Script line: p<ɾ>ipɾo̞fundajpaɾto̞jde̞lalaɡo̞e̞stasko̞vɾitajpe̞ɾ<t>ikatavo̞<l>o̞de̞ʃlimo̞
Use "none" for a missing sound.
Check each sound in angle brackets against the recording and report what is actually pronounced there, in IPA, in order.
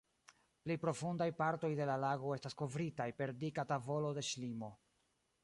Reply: l, d, l

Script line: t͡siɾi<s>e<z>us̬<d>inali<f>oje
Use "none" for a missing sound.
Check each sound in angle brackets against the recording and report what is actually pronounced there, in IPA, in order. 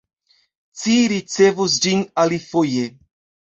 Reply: t͡s, v, d͡ʒ, f

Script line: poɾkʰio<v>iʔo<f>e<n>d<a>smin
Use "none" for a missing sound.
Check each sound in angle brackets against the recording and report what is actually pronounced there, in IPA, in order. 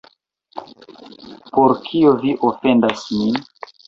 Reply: v, f, n, a

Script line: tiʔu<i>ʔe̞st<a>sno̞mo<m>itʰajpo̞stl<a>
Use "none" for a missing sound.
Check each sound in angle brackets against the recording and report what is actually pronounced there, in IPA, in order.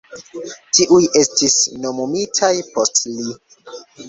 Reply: j, i, m, i

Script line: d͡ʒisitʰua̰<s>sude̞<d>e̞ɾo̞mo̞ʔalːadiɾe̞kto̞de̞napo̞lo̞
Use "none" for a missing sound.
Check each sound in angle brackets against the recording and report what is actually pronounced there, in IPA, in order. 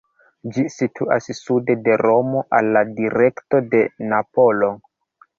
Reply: s, d

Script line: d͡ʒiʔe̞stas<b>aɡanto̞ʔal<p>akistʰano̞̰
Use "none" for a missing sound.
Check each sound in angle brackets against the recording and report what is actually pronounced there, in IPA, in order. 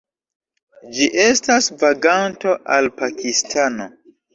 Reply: v, p

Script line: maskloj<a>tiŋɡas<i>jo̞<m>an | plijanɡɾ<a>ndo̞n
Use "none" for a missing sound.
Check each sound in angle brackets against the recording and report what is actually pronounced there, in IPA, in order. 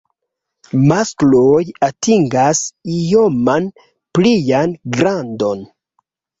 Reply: a, i, m, a

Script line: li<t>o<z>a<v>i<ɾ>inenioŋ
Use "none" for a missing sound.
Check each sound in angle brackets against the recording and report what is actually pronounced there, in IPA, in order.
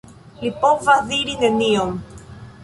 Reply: p, v, ð, ɾ

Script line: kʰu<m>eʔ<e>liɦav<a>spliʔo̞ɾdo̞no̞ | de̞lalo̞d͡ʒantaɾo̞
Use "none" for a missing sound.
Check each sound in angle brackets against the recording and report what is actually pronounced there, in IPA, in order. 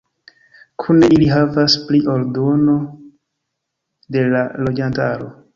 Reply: n, i, a

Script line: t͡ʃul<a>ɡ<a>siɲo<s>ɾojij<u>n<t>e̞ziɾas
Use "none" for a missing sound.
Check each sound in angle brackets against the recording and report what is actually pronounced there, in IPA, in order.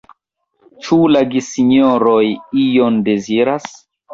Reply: a, i, none, o, d

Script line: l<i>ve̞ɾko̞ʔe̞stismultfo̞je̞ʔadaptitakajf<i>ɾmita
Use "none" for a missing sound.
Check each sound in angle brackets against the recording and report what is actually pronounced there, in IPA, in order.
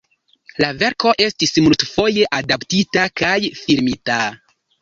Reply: a, i

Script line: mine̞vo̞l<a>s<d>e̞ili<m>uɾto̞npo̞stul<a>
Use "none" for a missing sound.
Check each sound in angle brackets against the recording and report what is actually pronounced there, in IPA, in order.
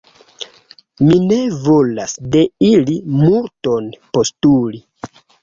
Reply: a, d, m, i

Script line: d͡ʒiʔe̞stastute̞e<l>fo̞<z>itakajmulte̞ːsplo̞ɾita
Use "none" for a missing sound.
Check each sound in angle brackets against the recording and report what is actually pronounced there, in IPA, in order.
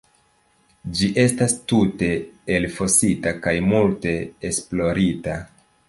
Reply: l, s

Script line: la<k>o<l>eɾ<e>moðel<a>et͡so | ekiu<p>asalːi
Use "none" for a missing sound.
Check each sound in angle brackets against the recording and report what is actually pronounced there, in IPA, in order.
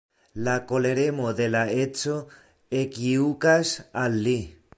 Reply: k, l, e, a, k

